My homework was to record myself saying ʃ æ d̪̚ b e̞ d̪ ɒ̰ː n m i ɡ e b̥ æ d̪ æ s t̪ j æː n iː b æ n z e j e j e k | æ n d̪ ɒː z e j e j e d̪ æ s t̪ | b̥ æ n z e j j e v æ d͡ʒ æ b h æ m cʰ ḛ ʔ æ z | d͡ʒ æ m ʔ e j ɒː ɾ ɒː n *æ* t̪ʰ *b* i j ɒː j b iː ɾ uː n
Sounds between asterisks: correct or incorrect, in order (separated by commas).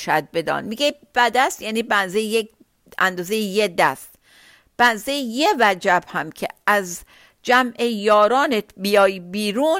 incorrect, correct